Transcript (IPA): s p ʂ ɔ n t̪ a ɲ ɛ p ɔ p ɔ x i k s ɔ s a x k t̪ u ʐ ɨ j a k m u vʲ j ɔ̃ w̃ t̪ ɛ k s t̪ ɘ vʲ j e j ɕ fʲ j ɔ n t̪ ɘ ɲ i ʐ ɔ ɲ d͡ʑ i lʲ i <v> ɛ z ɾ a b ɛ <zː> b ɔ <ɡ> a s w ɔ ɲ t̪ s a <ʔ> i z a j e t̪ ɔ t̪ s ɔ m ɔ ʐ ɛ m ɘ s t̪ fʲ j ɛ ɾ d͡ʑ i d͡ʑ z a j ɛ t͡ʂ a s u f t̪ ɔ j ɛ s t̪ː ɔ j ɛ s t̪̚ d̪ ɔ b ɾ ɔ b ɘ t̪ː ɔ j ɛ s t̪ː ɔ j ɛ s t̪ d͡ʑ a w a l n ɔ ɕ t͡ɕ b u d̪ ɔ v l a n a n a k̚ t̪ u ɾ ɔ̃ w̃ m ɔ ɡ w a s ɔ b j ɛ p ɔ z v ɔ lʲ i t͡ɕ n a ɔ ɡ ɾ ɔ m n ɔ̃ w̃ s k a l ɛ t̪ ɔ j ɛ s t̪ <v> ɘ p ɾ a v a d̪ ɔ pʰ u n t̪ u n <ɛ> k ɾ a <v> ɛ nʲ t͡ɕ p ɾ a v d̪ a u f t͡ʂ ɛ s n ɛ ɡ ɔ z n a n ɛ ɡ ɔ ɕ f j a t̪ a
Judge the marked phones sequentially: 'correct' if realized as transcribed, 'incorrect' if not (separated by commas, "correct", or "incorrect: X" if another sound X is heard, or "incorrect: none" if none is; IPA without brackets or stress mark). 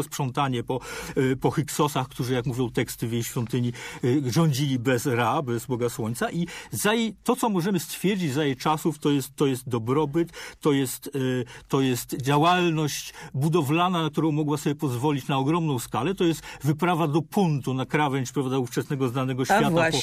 incorrect: b, incorrect: z, correct, correct, correct, incorrect: a, correct